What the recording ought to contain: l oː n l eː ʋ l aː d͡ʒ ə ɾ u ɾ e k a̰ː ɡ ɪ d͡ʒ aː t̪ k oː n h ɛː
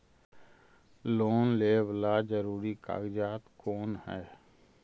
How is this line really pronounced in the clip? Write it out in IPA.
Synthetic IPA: l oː n l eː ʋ l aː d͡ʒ ə ɾ uː ɾ i k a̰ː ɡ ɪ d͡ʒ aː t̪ k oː n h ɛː